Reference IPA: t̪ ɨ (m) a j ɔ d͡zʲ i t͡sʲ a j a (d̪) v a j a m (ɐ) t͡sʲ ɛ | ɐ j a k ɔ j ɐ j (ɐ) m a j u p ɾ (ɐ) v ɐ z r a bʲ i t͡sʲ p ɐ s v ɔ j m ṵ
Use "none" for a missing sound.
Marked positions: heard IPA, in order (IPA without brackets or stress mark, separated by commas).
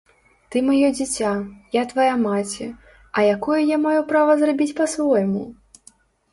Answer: m, t̪, a, a, a